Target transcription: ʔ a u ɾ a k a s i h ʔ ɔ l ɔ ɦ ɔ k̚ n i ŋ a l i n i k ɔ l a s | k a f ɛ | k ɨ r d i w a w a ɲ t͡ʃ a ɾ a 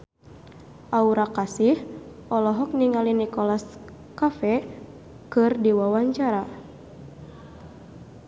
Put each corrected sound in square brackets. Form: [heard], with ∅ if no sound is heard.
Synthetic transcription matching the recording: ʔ a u ɾ a k a s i h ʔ ɔ l ɔ ɦ ɔ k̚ n i ŋ a l i n i k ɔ l a s | k a f ɛ | k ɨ r d i w a w a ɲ t͡ʃ a ɾ a